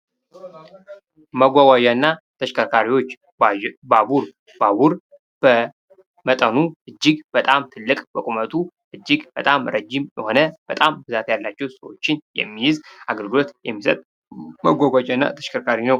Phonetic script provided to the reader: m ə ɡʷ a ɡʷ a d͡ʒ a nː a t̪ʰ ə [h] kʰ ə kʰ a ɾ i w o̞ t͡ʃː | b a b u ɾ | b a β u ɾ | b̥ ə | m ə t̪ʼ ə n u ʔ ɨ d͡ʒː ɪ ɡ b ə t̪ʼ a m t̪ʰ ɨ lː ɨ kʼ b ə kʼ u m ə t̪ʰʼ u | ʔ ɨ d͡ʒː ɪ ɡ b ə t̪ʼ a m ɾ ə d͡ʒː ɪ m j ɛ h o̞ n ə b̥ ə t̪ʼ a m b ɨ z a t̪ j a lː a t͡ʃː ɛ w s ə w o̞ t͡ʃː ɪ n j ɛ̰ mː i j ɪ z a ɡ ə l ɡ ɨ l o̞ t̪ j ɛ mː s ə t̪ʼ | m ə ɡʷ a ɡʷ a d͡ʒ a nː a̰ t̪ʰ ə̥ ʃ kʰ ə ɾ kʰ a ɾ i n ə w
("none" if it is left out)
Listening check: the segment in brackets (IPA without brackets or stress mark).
ʃ